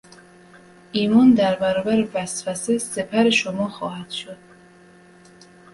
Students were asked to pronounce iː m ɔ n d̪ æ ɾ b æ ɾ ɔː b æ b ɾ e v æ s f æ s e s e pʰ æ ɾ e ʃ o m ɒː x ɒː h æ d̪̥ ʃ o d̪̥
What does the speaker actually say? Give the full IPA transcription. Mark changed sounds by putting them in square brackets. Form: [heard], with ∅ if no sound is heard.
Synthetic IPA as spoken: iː m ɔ n d̪ æ ɾ b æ ɾ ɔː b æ [∅] ɾ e v æ s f æ s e s e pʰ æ ɾ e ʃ o m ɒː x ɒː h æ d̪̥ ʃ o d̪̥